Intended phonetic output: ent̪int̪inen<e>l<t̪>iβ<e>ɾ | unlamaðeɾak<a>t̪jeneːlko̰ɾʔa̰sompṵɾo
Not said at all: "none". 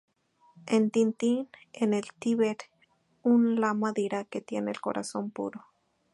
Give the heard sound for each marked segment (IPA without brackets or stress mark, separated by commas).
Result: e, t̪, e, e